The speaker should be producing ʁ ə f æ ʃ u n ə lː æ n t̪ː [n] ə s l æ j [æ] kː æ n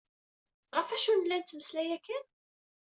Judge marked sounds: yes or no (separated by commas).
no, yes